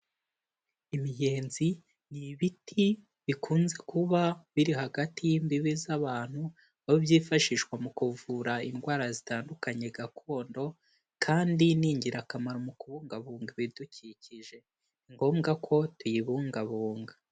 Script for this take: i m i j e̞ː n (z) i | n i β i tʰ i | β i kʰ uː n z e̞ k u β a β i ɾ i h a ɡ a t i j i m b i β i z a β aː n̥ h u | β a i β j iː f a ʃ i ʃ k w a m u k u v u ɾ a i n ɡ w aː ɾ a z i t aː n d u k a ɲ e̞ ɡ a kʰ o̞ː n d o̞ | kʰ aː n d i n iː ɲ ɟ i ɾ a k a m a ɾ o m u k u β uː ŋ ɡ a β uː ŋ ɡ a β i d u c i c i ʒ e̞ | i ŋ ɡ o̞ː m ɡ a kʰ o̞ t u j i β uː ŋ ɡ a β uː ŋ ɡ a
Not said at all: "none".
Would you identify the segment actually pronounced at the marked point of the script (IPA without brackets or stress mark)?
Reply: z